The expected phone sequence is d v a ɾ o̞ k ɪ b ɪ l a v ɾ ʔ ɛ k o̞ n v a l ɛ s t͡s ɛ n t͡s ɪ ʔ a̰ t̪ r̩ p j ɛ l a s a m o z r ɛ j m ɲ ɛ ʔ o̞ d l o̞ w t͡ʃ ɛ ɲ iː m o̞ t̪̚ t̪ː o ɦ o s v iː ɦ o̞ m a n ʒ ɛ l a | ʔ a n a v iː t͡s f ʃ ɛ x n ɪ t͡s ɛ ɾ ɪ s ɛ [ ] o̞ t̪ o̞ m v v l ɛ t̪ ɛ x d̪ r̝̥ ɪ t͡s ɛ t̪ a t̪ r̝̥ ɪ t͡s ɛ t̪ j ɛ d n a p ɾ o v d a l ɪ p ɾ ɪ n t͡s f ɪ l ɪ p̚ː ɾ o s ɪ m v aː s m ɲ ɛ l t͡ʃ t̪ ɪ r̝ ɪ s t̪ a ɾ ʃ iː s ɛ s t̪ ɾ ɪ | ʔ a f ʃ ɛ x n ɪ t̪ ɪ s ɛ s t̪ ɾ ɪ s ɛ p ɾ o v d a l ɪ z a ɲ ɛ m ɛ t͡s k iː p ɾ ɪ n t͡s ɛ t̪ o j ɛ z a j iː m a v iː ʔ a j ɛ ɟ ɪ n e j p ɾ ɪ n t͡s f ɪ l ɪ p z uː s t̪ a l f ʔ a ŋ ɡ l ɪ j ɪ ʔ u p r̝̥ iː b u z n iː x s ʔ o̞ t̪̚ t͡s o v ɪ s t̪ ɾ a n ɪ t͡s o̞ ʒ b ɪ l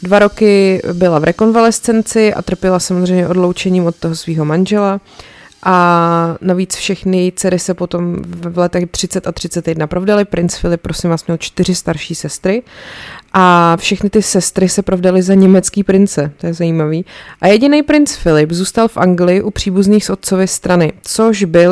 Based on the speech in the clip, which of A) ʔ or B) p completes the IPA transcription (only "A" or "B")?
B